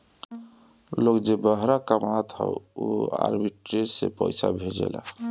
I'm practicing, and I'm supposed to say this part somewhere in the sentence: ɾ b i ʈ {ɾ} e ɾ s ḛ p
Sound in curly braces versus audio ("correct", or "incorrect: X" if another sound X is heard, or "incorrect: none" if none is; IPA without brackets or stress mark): correct